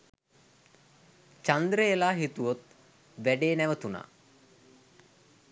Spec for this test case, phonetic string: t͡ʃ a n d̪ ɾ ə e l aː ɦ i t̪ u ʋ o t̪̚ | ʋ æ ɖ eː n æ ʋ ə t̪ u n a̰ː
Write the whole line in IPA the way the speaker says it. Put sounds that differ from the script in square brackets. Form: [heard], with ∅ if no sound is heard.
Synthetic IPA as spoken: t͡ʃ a n d̪ ɾ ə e l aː ɦ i t̪ u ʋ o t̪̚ | ʋ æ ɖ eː n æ ʋ ə t̪ u n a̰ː